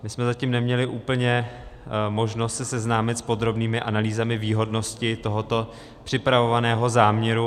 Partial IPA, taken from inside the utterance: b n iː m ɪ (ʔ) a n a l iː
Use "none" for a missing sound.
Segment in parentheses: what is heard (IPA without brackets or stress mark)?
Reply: ʔ